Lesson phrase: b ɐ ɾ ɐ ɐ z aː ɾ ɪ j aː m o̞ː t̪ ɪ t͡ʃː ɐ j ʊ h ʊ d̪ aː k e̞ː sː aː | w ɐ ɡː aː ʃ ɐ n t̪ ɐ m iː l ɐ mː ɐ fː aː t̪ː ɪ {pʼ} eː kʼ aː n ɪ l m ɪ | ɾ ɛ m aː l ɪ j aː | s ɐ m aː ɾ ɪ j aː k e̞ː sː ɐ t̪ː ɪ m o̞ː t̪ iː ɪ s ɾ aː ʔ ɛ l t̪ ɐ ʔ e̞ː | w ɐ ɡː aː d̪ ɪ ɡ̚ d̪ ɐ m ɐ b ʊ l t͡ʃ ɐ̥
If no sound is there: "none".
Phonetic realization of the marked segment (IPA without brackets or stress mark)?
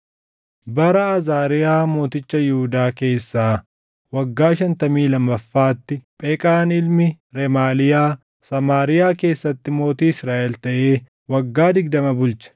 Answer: pʼ